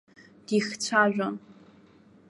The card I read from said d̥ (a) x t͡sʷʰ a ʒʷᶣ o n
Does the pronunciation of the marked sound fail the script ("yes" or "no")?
yes